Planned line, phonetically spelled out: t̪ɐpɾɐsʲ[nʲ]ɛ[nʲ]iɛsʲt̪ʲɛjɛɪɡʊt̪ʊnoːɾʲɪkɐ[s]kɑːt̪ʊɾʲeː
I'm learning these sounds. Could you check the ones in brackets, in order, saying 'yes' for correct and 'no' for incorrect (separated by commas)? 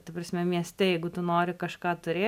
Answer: no, no, no